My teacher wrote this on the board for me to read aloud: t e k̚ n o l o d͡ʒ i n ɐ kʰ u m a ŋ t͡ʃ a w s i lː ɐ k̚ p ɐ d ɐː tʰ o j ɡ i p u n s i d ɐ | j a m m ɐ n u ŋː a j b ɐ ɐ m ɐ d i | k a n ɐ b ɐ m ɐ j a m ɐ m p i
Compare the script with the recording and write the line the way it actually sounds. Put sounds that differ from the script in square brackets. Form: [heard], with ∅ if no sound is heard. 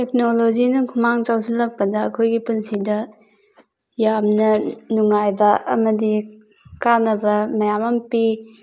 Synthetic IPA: t e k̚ n o l o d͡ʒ i n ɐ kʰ u m a ŋ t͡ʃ a w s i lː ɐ k̚ p ɐ d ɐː [kʰ] o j ɡ i p u n s i d ɐ | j a m [n] ɐ n u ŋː a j b ɐ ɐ m ɐ d i | k a n ɐ b ɐ m ɐ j a m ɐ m p i